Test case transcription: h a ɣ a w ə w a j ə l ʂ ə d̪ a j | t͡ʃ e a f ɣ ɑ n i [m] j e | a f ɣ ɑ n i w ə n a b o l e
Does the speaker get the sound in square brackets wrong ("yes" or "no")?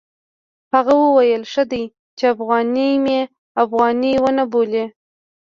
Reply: no